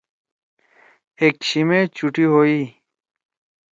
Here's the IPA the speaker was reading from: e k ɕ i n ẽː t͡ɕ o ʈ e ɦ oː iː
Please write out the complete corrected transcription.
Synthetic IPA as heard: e k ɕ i m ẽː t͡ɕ u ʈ i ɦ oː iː